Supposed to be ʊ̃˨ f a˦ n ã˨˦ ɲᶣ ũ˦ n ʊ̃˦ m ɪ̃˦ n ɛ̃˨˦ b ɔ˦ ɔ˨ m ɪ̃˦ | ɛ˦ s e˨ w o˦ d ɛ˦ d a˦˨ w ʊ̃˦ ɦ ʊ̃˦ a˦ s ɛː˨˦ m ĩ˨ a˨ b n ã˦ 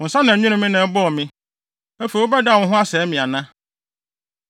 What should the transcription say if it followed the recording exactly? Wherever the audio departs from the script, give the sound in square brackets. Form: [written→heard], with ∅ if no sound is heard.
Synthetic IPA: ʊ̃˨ [f→s] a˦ n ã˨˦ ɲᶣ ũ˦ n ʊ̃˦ m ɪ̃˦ n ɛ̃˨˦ b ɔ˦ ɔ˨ m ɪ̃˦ | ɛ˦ [s→f] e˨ w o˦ [d→b] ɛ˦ d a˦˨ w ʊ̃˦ ɦ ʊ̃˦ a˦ s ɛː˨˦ m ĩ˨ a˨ [b→∅] n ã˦